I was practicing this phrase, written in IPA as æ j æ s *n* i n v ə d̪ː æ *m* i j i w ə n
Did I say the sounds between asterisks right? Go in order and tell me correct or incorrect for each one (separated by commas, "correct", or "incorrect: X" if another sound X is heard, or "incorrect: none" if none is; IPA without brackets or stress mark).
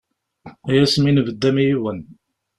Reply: incorrect: m, correct